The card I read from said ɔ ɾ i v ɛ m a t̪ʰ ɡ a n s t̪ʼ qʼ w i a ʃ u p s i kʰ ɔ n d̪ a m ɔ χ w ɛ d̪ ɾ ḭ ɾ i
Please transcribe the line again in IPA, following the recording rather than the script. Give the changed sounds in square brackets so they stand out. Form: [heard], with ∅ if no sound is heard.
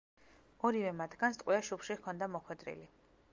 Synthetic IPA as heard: ɔ ɾ i v ɛ m a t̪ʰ ɡ a n s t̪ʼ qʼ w i a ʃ u p [ʃ] i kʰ ɔ n d̪ a m ɔ χ w ɛ d̪ ɾ ḭ [l] i